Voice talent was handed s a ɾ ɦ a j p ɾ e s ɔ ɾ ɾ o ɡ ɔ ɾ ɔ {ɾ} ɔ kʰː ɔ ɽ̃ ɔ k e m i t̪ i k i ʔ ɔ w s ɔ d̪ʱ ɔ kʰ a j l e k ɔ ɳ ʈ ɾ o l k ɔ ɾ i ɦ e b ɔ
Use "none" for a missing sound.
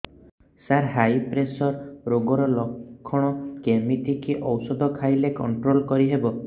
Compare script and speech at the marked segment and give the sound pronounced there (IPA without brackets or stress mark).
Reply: l